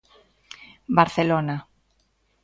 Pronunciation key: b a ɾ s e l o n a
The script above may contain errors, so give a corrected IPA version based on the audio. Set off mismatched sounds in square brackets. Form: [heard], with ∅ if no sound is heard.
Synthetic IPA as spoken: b a ɾ [θ] e l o n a

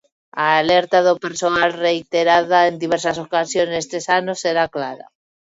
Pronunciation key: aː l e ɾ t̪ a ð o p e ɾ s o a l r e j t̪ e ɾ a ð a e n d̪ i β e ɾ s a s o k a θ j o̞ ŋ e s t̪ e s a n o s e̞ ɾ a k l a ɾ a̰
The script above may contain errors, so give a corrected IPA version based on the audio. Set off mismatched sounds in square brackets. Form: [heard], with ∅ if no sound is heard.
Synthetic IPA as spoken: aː l e ɾ t̪ a ð o p e ɾ s o a l r e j t̪ e ɾ a ð a e n d̪ i β e ɾ s a s o k a [s] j o̞ [n] e s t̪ e s a n o s e̞ ɾ a k l a ɾ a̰

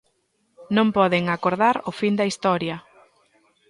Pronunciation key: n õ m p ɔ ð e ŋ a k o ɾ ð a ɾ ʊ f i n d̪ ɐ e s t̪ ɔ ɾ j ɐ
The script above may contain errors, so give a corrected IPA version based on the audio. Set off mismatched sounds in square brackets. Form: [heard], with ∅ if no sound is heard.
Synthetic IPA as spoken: n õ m p ɔ ð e ŋ a k o ɾ ð a ɾ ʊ f i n d̪ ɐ [i] s t̪ ɔ ɾ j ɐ

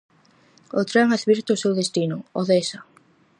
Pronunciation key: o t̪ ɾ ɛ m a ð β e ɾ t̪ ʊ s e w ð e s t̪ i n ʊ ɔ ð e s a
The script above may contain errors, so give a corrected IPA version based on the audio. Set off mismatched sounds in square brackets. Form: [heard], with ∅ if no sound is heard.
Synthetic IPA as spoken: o t̪ ɾ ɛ [ŋ] a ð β [i] ɾ t̪ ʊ s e w ð e s t̪ i n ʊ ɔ ð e s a

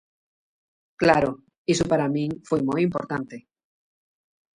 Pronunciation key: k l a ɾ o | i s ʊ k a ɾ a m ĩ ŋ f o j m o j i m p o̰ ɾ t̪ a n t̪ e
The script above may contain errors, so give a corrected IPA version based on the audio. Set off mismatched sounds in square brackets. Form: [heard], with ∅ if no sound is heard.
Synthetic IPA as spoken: k l a ɾ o | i s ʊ [p] a ɾ a m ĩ ŋ f o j m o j i m p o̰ ɾ t̪ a n t̪ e

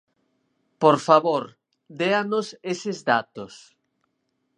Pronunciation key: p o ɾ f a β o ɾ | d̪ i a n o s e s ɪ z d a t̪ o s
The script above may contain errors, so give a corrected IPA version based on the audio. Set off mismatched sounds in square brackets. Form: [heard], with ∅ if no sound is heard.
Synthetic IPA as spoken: p o ɾ f a β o ɾ | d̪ [e] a n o s e s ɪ z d a t̪ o s

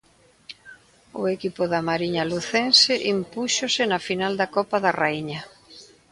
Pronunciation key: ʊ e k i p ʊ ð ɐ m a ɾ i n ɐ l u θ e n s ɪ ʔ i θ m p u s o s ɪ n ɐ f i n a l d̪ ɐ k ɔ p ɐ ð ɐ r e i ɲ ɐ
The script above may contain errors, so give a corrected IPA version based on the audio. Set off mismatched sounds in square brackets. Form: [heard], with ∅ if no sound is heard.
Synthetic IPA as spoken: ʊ e k i p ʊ ð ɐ m a ɾ i [ɲ] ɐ l u θ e n s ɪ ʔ i [∅] m p u [ʃ] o s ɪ n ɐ f i n a l d̪ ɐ k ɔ p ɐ ð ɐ r [a] i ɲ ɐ

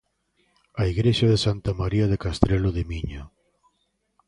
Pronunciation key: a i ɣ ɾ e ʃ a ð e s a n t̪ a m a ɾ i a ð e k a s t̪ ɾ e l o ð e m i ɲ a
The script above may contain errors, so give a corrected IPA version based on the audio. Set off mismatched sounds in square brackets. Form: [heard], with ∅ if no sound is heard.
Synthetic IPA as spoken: a i ɣ ɾ e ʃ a ð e s a n t̪ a m a ɾ i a ð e k a s t̪ ɾ e l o ð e m i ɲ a

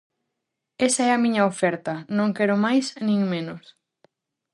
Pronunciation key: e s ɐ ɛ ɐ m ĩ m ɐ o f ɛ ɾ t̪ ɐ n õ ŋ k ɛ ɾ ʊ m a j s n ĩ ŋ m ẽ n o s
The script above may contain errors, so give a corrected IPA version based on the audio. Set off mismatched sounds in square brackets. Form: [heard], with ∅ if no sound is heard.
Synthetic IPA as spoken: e s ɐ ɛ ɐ m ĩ [ɲ] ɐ o f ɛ ɾ t̪ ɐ n õ ŋ k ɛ ɾ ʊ m a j s n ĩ ŋ m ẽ n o s

